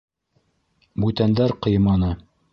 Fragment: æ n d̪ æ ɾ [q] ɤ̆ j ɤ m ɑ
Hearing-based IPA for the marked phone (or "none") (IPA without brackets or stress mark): q